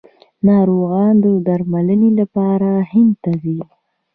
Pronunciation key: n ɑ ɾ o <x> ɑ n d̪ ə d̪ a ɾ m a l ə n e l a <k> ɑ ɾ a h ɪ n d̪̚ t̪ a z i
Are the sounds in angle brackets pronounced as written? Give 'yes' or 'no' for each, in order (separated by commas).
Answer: no, no